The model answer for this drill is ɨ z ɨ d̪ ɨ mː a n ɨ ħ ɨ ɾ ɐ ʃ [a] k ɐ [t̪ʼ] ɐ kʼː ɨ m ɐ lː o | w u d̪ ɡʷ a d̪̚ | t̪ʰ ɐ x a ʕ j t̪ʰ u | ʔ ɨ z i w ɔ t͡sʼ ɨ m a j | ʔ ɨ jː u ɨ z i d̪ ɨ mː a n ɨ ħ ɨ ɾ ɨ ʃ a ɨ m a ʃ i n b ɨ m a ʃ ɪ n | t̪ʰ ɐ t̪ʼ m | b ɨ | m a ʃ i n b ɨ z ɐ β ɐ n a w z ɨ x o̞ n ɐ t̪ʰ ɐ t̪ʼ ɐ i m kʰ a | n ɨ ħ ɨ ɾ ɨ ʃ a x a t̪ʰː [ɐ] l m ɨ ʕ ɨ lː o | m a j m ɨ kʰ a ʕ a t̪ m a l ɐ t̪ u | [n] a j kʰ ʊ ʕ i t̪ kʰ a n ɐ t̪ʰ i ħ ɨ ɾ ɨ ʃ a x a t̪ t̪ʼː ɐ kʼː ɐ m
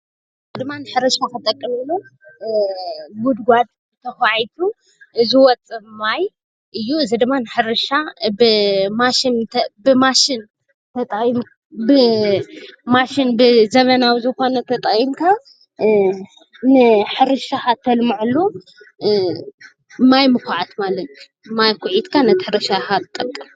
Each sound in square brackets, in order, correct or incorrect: correct, correct, correct, incorrect: m

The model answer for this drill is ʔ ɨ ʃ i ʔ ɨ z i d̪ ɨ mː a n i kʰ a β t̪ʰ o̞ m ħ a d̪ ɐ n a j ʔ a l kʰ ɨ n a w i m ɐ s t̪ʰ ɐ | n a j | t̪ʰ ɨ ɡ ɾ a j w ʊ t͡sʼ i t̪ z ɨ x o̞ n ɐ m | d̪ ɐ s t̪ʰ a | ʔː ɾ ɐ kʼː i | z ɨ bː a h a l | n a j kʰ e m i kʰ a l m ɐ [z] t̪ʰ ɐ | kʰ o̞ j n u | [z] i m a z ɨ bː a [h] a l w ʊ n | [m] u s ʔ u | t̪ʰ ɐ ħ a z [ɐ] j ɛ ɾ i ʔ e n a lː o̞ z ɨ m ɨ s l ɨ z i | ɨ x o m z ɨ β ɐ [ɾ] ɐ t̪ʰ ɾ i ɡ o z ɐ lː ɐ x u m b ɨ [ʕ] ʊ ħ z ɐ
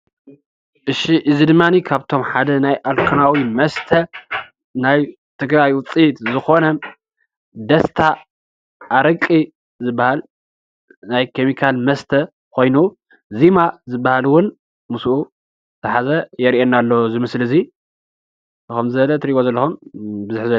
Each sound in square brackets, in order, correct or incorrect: incorrect: s, correct, correct, correct, correct, incorrect: l, incorrect: z

